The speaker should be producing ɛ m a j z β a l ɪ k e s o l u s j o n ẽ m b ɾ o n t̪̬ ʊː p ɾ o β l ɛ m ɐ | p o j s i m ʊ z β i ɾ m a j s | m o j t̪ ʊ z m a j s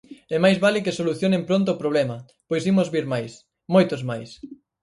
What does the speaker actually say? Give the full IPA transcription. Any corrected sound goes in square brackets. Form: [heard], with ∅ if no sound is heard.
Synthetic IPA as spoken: ɛ m a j z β a l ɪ k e s o l u [θ] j o n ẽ m [p] ɾ o n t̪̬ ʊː p ɾ o β l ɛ m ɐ | p o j s i m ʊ z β i ɾ m a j s | m o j t̪ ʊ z m a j s